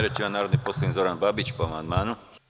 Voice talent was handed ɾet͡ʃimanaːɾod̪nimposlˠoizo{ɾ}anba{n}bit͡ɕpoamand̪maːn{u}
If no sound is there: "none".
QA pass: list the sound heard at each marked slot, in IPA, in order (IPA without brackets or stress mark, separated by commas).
ɾ, none, u